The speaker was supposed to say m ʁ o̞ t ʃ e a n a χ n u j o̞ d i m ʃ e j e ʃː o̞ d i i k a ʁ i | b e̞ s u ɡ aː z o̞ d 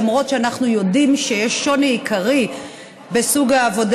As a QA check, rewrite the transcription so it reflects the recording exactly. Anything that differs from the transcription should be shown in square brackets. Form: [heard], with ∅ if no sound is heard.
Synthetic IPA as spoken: m ʁ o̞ t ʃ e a n a χ n u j o̞ d i m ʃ e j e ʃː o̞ [n] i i k a ʁ i | b e̞ s u ɡ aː [v] o̞ d